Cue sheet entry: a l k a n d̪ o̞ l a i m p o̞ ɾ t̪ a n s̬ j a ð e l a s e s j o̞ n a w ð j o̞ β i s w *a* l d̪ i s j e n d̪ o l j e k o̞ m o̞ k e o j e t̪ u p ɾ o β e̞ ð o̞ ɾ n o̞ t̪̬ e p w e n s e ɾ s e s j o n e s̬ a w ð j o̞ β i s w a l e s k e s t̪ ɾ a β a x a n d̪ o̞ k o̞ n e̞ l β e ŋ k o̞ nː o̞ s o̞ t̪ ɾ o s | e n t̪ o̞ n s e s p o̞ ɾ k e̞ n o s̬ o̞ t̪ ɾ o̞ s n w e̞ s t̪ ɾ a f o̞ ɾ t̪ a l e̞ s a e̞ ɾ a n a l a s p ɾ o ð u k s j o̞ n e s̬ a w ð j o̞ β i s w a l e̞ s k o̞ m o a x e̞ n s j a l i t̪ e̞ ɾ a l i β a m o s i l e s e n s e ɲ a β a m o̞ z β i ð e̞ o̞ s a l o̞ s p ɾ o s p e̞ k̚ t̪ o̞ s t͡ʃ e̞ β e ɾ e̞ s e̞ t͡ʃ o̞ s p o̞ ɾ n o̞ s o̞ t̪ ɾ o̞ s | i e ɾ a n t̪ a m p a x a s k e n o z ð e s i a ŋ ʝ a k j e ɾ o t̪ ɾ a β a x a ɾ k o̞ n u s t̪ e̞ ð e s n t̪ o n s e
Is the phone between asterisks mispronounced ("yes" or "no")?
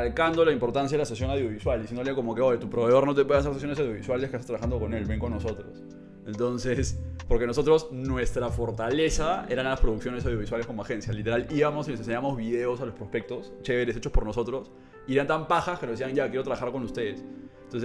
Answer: no